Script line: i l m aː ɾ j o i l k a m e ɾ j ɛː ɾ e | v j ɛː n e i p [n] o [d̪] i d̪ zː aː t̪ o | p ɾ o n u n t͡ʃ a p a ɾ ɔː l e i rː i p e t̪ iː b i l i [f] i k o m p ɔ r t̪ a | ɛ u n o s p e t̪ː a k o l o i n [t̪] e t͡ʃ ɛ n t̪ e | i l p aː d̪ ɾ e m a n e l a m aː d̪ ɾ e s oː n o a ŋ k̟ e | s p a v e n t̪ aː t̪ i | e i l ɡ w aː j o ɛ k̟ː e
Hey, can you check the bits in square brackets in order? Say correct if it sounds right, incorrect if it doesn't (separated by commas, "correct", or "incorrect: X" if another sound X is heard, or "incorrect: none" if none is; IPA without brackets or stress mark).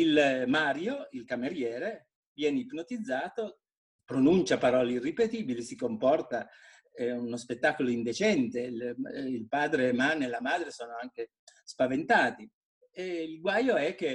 correct, incorrect: t̪, incorrect: s, incorrect: d̪